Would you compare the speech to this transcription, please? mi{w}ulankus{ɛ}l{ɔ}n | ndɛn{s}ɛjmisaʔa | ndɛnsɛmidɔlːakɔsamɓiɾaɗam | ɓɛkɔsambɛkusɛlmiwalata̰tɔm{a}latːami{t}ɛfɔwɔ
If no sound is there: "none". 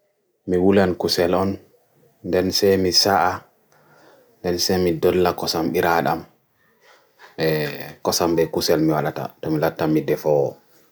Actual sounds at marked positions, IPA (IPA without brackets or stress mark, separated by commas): w, ɛ, ɔ, s, i, d